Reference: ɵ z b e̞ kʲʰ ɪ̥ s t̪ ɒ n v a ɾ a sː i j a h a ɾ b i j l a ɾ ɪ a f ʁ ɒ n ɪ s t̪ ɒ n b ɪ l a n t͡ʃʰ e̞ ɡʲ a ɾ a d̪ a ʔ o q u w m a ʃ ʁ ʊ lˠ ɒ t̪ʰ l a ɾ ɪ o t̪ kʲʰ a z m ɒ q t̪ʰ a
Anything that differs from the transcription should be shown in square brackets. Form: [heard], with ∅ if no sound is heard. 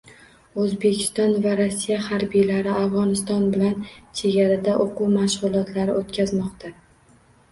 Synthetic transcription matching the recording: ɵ z b e̞ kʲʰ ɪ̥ s t̪ ɒ n v a ɾ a sː i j a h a ɾ b i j l a ɾ ɪ a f ʁ ɒ n ɪ s t̪ ɒ n b ɪ l a n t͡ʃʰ e̞ ɡʲ a ɾ a d̪ a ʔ o q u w m a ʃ ʁ ʊ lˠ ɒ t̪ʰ l a ɾ ɪ o t̪ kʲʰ a z m ɒ q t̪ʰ a